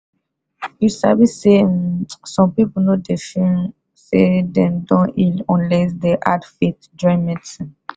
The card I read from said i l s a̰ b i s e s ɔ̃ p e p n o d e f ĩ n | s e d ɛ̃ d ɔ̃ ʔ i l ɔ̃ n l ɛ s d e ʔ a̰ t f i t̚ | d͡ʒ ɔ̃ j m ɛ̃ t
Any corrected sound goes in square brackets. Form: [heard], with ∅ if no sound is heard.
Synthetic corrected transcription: i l s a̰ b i s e s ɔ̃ p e p n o d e f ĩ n | s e d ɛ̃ d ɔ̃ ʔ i l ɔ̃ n l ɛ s d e ʔ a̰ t f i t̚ | d͡ʒ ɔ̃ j m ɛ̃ t